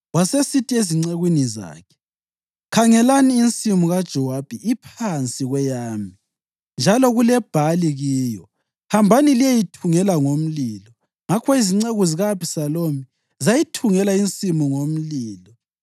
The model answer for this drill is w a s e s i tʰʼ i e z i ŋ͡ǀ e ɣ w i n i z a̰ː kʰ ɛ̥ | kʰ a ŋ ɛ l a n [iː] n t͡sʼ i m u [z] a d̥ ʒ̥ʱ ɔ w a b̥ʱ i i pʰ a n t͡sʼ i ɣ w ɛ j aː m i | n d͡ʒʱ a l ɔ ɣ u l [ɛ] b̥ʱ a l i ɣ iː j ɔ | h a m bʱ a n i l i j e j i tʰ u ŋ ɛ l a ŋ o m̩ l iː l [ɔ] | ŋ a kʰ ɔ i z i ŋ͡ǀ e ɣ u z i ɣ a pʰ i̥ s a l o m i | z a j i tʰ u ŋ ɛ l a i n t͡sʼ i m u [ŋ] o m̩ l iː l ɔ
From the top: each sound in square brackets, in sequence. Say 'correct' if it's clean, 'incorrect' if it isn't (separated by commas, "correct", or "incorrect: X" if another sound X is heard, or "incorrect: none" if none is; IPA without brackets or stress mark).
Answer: correct, incorrect: ɣ, correct, correct, correct